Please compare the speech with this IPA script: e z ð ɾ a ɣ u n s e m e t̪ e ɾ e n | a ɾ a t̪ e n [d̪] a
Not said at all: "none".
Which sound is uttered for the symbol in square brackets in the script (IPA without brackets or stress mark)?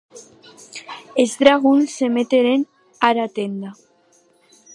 d̪